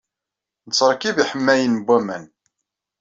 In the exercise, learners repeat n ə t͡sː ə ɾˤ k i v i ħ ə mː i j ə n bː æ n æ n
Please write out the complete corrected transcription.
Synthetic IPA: n ə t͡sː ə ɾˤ k i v i ħ ə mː æ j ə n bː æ m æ n